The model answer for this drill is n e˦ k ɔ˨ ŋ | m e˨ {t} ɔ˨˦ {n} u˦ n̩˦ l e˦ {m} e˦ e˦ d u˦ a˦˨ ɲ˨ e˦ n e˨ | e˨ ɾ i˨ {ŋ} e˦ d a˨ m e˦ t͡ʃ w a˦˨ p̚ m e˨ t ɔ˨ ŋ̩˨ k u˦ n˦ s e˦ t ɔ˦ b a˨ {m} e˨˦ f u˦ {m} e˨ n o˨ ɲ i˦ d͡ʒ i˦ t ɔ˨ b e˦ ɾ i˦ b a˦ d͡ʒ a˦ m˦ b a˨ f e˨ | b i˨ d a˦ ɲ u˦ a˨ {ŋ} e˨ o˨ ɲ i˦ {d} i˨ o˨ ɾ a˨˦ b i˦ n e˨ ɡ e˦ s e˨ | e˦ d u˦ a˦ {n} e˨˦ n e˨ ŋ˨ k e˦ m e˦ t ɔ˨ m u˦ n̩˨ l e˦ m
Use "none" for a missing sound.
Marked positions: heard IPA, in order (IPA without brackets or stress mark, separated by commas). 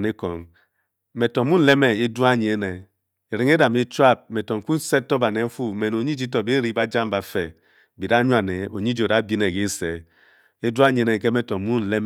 t, m, m, ŋ, n, m, n, d͡ʒ, ɲ